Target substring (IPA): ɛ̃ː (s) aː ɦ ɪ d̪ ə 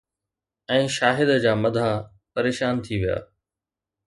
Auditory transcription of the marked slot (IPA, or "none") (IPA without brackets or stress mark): ʃ